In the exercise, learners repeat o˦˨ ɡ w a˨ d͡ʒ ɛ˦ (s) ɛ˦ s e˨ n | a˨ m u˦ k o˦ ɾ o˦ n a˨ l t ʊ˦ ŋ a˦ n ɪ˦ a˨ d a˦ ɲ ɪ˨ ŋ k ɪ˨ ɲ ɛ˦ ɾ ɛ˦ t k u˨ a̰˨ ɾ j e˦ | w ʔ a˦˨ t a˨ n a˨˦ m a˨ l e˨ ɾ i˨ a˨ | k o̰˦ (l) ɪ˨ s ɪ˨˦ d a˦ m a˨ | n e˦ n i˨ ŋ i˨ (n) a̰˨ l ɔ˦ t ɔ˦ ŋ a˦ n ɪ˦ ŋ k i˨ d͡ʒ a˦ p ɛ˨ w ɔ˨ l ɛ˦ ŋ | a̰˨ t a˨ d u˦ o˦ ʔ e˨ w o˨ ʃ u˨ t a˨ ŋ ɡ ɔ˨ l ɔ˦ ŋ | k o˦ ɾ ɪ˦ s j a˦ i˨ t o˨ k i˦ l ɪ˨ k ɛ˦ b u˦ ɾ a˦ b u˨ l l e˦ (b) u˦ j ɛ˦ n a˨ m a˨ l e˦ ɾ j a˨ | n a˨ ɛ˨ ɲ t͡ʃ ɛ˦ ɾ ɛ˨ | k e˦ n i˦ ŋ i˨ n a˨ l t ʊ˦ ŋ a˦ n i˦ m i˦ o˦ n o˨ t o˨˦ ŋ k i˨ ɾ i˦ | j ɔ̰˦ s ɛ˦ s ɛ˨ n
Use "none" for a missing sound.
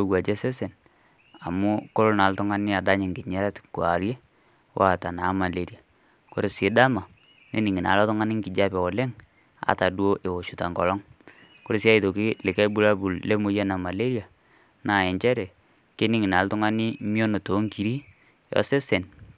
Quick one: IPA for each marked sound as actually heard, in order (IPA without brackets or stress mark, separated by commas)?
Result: s, ɾ, n, m